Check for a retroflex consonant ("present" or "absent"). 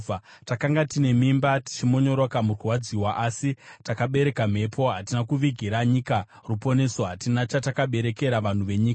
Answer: absent